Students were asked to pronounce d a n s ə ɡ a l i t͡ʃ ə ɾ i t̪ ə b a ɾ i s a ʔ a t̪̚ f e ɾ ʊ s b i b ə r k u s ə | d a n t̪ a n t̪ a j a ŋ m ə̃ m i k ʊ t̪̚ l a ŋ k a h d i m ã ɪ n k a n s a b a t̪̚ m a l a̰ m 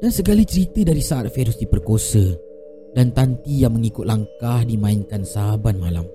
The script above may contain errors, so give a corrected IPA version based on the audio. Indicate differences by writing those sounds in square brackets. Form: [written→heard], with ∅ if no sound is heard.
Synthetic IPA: d a n s ə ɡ a l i t͡ʃ ə ɾ i t̪ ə [b→d] a ɾ i s a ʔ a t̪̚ f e ɾ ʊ s [b→d] i [b→p] ə r k [u→o] s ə | d a n t̪ a n t̪ [a→i] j a ŋ m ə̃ [m→ŋ] i k ʊ t̪̚ l a ŋ k a h d i m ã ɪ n k a n s a b a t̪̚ m a l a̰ m